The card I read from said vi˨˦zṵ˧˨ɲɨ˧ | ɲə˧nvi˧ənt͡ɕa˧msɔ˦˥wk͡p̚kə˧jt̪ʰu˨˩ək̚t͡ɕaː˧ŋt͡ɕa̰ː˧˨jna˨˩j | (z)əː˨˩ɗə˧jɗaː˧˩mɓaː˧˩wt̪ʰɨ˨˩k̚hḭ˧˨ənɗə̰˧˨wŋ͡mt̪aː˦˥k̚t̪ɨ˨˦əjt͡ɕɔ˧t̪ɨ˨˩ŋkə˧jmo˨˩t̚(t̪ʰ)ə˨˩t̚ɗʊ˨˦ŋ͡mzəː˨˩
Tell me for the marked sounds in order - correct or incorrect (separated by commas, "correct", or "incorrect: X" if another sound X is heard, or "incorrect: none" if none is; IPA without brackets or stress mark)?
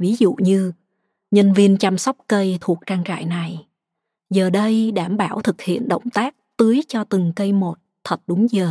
correct, correct